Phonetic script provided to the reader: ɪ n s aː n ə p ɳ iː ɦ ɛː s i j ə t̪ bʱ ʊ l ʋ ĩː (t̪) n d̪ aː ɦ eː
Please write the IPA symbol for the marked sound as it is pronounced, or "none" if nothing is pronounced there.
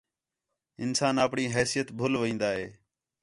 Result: none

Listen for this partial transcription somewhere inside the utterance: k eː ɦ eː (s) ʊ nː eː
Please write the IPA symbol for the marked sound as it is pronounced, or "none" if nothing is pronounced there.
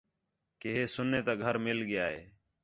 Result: s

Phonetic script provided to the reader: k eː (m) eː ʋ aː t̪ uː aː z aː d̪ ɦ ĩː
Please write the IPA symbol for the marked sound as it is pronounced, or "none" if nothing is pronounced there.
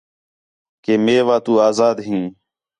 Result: m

